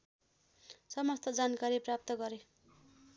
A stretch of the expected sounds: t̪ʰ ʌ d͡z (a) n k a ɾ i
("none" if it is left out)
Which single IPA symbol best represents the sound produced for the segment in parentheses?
a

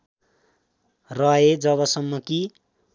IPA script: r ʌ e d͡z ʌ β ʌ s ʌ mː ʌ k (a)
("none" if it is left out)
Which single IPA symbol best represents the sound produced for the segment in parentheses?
i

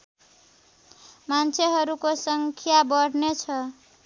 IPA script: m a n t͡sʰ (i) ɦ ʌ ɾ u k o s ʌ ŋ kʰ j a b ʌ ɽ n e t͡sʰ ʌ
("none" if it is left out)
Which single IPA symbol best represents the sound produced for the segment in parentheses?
e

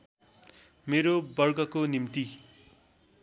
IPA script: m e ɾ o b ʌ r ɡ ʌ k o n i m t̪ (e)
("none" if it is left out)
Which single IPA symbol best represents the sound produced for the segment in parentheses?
i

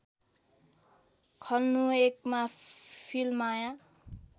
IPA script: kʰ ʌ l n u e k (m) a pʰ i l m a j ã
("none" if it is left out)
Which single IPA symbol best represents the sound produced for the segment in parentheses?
m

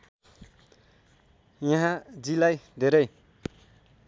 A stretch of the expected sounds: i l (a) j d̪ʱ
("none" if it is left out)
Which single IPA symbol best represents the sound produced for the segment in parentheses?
a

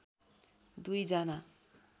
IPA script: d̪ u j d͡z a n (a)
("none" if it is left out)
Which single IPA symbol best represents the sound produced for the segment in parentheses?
a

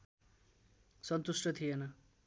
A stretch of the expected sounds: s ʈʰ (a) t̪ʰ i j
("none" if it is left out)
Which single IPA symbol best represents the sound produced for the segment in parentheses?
ʌ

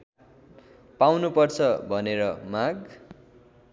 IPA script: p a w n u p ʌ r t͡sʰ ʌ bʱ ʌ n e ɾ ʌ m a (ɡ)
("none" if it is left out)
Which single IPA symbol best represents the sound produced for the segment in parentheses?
ɡ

